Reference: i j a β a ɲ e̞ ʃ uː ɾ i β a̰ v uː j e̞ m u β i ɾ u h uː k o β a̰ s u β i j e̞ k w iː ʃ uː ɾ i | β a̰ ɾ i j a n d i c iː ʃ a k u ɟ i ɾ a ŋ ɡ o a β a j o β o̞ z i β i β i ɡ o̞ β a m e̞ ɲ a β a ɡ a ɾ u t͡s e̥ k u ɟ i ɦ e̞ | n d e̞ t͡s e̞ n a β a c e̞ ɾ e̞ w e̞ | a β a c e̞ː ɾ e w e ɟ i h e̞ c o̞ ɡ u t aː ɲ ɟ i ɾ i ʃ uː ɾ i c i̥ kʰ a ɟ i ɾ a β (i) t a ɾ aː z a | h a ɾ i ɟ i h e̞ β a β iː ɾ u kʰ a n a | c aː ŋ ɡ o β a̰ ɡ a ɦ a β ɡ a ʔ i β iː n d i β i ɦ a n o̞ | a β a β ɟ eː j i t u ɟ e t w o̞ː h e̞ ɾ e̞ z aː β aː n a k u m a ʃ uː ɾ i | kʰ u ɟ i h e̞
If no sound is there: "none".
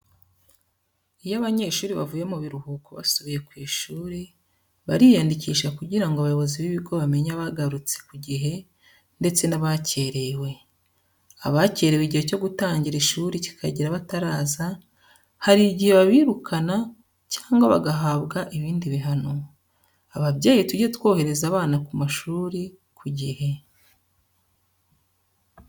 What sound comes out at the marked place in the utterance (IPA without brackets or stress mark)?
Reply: a